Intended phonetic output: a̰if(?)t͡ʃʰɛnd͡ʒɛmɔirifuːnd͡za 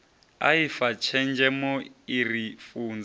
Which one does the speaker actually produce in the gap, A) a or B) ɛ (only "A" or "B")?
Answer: A